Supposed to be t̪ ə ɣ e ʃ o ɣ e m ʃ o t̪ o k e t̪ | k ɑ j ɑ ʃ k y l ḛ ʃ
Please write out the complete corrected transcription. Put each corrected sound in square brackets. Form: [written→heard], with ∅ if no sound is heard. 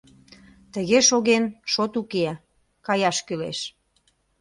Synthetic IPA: t̪ ə ɣ e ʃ o ɣ e [m→n] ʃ o t̪ [o→u] k e [t̪→∅] | k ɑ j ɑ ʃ k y l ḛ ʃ